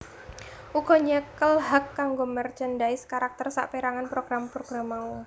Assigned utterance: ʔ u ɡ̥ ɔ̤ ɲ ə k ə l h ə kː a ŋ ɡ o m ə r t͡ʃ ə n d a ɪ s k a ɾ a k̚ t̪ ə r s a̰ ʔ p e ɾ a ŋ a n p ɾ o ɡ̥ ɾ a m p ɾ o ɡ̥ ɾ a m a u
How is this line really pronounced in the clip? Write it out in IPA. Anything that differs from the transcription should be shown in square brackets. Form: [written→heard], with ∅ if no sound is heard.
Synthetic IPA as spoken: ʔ u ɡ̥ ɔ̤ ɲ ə k ə l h [ə→a] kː a ŋ ɡ o m ə r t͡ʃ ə n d a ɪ s k a ɾ a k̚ t̪ ə r s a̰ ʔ p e ɾ a ŋ a n p ɾ o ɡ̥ ɾ a m p ɾ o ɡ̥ ɾ a m a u